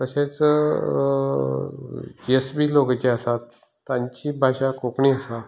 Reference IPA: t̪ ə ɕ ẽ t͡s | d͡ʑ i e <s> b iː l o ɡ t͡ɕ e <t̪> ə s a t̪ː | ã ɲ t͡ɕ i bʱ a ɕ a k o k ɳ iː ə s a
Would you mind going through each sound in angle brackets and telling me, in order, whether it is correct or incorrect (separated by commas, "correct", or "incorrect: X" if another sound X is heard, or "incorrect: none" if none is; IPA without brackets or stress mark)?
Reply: correct, incorrect: none